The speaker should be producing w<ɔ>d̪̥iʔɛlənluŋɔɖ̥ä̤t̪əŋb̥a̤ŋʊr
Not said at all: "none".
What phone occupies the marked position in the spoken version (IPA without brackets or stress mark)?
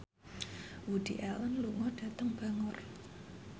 u